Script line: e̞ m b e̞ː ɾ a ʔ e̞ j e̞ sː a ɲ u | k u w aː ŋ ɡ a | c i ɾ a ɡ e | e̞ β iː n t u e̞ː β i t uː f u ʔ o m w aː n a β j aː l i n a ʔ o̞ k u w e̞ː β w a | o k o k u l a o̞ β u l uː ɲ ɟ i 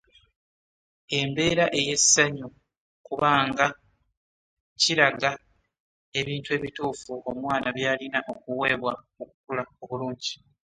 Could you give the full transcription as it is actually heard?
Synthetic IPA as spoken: e̞ m b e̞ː ɾ a ʔ e̞ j e̞ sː a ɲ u | k u β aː ŋ ɡ a | c i ɾ a ɡ a | e̞ β iː n t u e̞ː β i t uː f u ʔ o m w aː n a β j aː l i n a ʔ o̞ k u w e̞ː β w a | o k u k u l a o̞ β u l uː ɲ ɟ i